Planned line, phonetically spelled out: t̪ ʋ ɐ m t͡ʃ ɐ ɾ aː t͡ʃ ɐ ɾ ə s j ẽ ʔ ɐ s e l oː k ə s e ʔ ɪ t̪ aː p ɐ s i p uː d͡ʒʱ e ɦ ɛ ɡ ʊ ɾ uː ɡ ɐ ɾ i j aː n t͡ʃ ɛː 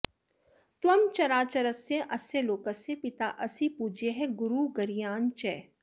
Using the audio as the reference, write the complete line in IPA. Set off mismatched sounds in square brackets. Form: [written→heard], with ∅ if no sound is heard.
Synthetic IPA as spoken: t̪ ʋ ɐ m t͡ʃ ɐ ɾ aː t͡ʃ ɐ ɾ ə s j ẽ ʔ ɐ s e l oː k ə s e [ʔ→p] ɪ t̪ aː [p→ʔ] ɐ s i p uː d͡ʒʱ e ɦ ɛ ɡ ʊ ɾ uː ɡ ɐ ɾ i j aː n t͡ʃ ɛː